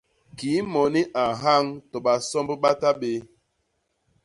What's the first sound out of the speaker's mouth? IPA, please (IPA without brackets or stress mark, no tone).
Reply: k